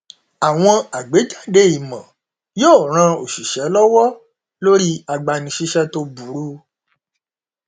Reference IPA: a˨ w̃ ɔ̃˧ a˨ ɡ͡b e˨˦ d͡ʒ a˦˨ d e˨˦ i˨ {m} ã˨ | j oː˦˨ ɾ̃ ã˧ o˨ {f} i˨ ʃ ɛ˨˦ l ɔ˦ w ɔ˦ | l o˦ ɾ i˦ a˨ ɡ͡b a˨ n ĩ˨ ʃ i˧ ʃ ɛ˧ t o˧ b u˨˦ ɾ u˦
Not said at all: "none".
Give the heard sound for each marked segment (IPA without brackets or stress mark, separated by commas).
m, ʃ